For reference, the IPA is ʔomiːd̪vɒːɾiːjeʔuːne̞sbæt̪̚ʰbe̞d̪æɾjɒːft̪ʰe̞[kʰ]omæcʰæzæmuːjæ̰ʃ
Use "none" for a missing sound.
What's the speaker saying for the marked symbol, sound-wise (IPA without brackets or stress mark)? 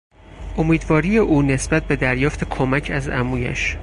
kʰ